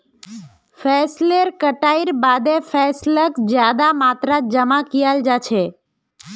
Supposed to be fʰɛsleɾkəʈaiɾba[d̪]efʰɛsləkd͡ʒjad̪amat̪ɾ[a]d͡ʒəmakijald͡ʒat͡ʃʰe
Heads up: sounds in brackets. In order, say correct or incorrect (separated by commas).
correct, correct